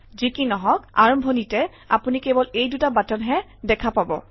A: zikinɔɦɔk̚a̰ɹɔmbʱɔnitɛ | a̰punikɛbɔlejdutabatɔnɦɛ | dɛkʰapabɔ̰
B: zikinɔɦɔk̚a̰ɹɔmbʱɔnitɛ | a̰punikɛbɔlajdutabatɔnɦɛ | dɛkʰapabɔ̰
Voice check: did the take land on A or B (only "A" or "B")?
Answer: A